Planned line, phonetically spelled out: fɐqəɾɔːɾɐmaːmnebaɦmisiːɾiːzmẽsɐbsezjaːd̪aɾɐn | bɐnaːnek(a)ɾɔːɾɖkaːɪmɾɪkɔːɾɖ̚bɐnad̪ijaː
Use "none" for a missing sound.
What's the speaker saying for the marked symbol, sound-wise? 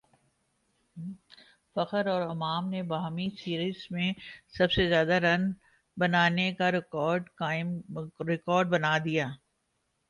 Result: a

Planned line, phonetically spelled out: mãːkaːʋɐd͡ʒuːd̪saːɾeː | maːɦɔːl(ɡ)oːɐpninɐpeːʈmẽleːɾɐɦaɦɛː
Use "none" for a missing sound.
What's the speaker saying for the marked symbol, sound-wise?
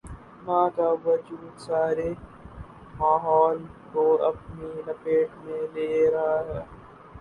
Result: k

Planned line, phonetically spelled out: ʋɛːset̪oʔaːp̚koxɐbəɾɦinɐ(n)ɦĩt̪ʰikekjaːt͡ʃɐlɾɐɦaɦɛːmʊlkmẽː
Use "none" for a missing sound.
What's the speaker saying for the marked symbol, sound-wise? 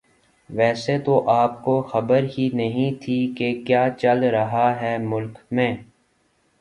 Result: none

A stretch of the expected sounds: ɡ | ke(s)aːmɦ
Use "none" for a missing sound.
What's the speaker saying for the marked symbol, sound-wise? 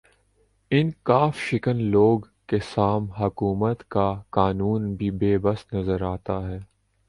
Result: s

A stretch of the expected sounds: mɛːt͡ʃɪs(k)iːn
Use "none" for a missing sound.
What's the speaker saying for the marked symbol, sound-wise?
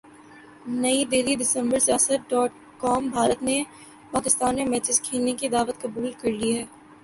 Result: kʰ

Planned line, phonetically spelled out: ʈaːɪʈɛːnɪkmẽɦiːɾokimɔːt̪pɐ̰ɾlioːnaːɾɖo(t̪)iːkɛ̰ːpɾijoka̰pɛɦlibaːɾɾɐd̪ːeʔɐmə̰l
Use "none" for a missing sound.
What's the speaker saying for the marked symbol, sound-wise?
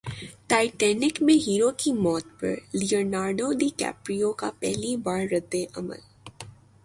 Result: d̪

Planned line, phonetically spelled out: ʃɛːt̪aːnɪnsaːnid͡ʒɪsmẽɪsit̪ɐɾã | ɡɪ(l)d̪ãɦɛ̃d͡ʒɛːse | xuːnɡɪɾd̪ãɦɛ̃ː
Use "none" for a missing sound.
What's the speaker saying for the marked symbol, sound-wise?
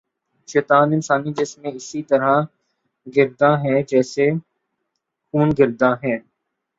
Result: ɾ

